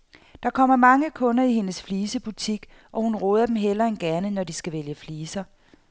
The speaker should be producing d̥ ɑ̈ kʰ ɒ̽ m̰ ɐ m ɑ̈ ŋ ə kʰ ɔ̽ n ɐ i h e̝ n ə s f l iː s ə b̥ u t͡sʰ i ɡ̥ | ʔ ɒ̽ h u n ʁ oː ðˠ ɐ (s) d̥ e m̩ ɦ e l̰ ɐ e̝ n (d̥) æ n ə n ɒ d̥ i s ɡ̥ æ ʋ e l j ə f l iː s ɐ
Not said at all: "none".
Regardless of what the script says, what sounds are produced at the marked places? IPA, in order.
none, ɡ̥

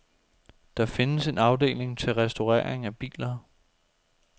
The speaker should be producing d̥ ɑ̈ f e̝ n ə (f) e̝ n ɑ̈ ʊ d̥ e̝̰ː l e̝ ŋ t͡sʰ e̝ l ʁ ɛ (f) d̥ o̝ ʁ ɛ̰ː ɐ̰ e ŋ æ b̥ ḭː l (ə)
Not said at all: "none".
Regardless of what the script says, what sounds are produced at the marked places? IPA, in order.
s, s, ɐ

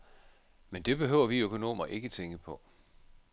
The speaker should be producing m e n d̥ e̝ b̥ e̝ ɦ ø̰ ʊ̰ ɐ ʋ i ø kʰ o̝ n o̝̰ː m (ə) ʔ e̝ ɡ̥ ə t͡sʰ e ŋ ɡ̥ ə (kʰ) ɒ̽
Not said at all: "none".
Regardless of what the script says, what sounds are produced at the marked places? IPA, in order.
ɐ, pʰ

